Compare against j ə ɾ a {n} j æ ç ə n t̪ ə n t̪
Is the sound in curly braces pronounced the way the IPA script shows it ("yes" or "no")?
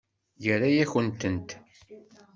no